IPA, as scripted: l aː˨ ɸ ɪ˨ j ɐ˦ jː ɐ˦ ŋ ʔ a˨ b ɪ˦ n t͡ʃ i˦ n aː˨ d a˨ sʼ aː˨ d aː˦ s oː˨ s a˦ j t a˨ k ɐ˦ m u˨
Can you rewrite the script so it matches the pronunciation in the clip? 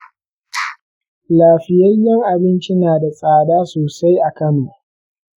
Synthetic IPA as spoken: l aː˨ ɸ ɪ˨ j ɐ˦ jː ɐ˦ ŋ ʔ a˨ b ɪ˦ n t͡ʃ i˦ n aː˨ d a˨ sʼ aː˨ d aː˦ s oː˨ s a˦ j ʔ a˨ k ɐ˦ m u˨